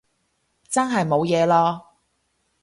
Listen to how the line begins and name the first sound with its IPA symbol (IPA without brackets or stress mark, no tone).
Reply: t͡s